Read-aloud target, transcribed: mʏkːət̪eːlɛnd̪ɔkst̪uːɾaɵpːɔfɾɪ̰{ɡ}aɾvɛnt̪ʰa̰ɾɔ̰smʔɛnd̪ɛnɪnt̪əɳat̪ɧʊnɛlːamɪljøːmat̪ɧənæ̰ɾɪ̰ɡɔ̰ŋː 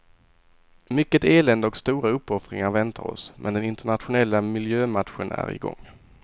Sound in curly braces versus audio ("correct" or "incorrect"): incorrect